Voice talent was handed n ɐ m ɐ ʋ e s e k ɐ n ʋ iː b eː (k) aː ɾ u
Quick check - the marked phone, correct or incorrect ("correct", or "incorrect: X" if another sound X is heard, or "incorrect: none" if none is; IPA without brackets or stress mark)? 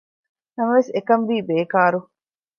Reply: correct